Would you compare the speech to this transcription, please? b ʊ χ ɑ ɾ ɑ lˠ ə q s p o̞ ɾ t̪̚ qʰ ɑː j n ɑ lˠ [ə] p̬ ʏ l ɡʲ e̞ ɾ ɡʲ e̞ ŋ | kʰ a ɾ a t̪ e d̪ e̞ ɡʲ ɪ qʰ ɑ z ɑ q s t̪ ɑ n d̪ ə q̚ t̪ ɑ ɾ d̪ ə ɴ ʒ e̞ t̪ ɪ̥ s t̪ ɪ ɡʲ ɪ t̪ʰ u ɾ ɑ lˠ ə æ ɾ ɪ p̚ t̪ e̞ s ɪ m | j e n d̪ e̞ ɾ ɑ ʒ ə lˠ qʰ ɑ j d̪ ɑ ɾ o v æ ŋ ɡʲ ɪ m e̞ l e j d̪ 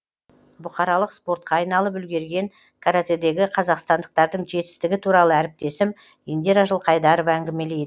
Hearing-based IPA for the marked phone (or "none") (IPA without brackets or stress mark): ə